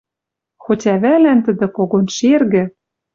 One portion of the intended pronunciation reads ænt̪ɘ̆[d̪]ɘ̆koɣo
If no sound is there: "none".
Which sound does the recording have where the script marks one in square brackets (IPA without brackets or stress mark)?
d̪